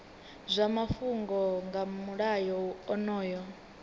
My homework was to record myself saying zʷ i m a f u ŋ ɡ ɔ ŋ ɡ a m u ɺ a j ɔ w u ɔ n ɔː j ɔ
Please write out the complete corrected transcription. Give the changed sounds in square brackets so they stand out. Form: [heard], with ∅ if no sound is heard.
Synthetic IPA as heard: zʷ [a] m a f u ŋ ɡ ɔ ŋ ɡ a m u ɺ a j ɔ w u ɔ n ɔː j ɔ